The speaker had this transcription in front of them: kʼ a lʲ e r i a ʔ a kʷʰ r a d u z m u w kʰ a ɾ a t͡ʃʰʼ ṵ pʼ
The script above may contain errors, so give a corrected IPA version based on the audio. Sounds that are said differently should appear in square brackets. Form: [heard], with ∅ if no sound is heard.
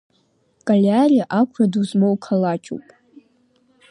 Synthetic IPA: kʼ a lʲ [a] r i a ʔ a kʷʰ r a d u z m [o] w kʰ a [l] a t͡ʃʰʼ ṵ pʼ